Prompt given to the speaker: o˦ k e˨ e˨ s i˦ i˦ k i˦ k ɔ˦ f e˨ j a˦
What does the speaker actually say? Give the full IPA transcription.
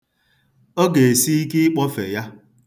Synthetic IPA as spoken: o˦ ɡ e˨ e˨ s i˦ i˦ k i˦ k͡p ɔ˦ f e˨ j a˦